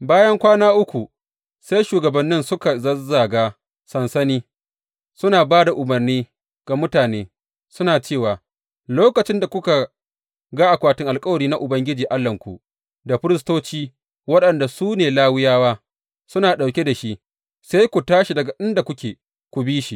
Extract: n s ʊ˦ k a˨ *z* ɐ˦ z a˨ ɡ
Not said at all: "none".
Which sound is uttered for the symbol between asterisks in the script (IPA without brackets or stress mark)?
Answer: z